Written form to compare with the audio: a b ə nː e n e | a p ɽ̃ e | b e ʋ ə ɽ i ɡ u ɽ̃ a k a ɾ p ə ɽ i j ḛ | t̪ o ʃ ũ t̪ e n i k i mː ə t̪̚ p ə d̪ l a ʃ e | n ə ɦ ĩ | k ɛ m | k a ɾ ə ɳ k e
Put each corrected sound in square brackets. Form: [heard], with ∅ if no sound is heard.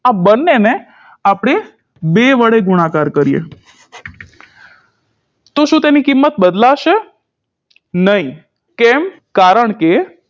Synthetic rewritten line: a b ə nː e n e | a p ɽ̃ e | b e ʋ ə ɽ [e] ɡ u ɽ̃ a k a ɾ [k] ə [ɾ] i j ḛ | t̪ o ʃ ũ t̪ e n i k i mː ə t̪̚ [b] ə d̪ l a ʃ e | n ə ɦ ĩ | k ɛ m | k a ɾ ə ɳ k e